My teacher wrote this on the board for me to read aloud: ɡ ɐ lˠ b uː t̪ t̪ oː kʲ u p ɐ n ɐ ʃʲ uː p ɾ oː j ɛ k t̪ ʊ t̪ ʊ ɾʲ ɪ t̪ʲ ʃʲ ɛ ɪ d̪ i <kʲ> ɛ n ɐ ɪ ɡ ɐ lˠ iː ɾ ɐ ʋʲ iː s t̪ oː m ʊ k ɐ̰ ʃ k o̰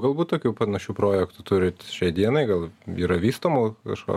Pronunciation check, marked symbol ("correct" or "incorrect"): incorrect